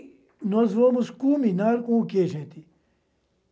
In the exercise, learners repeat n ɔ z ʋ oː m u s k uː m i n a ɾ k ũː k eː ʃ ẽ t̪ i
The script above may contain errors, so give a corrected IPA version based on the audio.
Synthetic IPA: n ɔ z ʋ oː m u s k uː m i n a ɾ k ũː k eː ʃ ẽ t̪ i